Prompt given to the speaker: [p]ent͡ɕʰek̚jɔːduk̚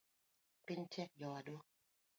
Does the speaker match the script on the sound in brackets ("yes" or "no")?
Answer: yes